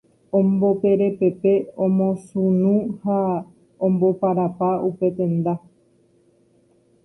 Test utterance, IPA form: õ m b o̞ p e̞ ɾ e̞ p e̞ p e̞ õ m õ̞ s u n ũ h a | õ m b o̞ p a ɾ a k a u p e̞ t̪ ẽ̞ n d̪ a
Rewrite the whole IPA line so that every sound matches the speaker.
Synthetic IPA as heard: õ m b o̞ p e̞ ɾ e̞ p e̞ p e̞ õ m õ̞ s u n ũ h a | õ m b o̞ p a ɾ a p a u p e̞ t̪ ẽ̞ n d̪ a